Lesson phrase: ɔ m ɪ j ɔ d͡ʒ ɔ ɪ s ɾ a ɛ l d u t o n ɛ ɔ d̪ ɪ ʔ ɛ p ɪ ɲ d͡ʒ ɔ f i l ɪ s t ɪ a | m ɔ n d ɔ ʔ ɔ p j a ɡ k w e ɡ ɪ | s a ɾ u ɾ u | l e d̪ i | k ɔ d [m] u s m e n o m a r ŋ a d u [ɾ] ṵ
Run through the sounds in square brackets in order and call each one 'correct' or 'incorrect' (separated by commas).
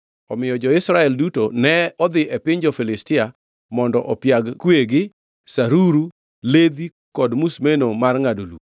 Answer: correct, incorrect